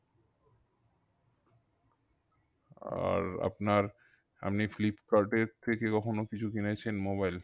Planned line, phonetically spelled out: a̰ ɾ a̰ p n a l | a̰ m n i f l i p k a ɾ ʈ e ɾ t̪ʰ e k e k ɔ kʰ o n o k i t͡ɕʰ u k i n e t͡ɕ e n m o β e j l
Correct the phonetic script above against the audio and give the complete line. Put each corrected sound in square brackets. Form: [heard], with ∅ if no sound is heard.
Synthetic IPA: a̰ ɾ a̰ p n a [ɾ] | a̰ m n i f l i p k a ɾ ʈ e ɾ t̪ʰ e k e k ɔ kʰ o n o k i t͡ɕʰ u k i n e [t͡ɕʰ] e n m o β [a] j l